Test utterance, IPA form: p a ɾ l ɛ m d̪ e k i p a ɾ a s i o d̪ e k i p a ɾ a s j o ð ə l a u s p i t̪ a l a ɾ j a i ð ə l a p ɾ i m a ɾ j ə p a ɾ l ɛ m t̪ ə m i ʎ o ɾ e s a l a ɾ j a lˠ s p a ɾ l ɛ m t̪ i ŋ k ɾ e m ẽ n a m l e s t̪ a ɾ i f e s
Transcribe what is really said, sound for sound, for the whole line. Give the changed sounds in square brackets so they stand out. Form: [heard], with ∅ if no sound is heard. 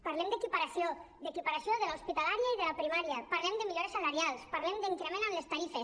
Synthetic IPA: p a ɾ l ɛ m d̪ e k i p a ɾ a s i o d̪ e k i p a ɾ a s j o ð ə l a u s p i t̪ a l a ɾ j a i ð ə l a p ɾ i m a ɾ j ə p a ɾ l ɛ m [d̪] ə m i ʎ o ɾ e s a l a ɾ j a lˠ s p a ɾ l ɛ m [d̪] i ŋ k ɾ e m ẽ n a m l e s t̪ a ɾ i f e s